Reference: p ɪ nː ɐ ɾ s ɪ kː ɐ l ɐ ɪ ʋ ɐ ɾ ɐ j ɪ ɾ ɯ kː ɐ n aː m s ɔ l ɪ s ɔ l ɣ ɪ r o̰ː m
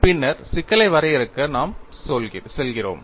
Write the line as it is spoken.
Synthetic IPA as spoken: p ɪ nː ɐ ɾ s ɪ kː ɐ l ɐ ɪ ʋ ɐ ɾ ɐ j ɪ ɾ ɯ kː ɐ n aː m s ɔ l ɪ s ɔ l ɣ ɪ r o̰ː m

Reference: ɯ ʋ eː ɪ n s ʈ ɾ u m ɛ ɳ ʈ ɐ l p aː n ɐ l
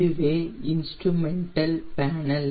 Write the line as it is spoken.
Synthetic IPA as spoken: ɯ ʋ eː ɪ n s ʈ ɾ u m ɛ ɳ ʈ ɐ l p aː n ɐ l

